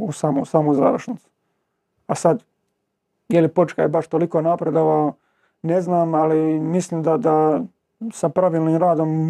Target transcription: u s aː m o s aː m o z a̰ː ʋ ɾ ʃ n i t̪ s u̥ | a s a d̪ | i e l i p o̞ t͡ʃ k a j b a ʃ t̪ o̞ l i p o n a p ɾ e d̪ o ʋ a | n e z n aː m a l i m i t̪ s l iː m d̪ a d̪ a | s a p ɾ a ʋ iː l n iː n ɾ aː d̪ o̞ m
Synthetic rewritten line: u s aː m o s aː m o z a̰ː ʋ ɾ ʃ n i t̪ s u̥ | a s a d̪ | j e l i p o̞ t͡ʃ k a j b a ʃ t̪ o̞ l i k o n a p ɾ e d̪ o ʋ a | n e z n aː m a l i m i s l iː m d̪ a d̪ a | s a p ɾ a ʋ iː l n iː m ɾ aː d̪ o̞ m